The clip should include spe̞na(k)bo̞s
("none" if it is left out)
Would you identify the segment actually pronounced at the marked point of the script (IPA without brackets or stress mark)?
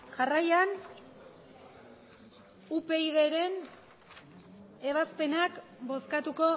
k